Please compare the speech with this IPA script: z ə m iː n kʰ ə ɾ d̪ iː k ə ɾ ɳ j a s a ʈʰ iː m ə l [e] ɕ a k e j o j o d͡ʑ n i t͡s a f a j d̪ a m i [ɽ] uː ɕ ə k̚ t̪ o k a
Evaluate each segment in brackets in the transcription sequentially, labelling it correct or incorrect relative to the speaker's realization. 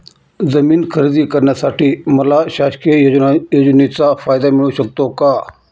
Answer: incorrect: a, incorrect: ɭ

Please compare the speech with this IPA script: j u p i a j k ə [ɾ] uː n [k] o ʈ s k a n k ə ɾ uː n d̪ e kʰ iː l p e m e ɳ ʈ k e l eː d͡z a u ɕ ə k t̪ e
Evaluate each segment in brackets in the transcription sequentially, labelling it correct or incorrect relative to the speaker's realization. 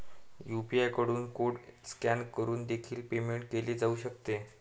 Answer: incorrect: ɽ, correct

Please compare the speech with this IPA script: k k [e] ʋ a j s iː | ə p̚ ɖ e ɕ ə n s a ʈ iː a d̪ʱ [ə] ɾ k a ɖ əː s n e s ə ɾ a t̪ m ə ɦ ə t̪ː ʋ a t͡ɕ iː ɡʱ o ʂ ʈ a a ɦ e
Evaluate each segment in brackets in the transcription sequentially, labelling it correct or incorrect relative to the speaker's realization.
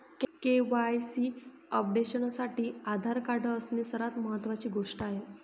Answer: correct, incorrect: a

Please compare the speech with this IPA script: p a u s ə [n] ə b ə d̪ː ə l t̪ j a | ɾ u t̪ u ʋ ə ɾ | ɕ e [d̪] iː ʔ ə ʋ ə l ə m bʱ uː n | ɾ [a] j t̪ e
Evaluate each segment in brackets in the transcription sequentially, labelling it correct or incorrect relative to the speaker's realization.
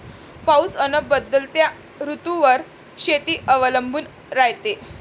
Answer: correct, incorrect: t̪, correct

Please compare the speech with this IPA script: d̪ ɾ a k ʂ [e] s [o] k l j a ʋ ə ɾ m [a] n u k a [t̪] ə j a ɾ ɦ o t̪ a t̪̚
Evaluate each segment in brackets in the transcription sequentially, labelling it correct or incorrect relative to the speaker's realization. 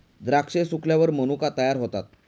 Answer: correct, incorrect: u, incorrect: ə, correct

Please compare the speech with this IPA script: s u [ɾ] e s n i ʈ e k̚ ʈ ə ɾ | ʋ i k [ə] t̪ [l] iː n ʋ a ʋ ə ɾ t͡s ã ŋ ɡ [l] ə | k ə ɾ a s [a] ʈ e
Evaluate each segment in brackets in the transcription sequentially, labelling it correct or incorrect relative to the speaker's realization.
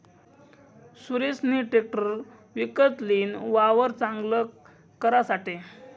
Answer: correct, correct, correct, correct, correct

